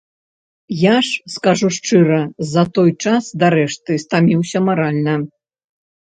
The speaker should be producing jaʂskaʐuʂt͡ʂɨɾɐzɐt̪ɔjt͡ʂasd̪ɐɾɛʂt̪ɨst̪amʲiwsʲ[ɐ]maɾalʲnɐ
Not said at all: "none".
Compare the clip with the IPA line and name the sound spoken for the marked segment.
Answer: ɐ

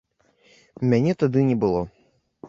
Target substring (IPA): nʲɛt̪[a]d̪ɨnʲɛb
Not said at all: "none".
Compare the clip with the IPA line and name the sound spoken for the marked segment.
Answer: a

